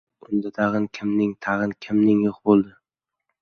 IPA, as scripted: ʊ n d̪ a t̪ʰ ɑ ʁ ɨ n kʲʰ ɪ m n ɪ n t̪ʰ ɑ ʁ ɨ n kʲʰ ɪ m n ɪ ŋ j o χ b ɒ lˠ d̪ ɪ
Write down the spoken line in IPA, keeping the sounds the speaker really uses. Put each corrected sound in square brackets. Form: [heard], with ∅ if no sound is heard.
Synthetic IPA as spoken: ʊ n d̪ a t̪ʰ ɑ ʁ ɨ n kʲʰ ɪ m n ɪ [ŋ] t̪ʰ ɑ ʁ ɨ n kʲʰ ɪ m n ɪ ŋ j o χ b [o] lˠ d̪ ɪ